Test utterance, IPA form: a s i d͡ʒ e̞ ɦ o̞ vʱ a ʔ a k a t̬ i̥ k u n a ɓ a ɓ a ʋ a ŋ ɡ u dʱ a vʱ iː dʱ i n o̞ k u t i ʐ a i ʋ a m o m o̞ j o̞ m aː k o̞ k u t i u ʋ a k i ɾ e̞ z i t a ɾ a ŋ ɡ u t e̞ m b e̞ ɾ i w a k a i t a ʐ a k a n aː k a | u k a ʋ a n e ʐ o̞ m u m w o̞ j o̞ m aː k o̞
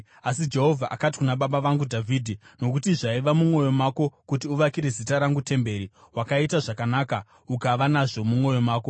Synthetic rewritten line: a s i d͡ʒ e̞ ɦ o̞ vʱ a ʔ a k a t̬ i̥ k u n a ɓ a ɓ a ʋ a ŋ ɡ u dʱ a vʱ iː dʱ i n o̞ k u t i ʐ a i ʋ a m u m o̞ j o̞ m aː k o̞ k u t i u ʋ a k i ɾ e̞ z i t a ɾ a ŋ ɡ u t e̞ m b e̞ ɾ i w a k a i t a ʐ a k a n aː k a | u k a ʋ a n a ʐ o̞ m u m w o̞ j o̞ m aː k o̞